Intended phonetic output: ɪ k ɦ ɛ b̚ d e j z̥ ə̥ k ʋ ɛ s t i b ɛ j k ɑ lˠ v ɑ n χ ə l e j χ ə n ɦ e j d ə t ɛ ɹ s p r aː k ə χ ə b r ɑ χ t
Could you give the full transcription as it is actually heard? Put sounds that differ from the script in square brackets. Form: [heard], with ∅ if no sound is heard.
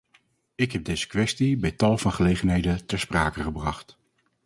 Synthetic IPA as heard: ɪ k ɦ ɛ b̚ d e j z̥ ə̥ k ʋ ɛ s t i b ɛ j [t] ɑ lˠ v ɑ n χ ə l e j χ ə n ɦ e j d ə t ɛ ɹ s p r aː k ə χ ə b r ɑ χ t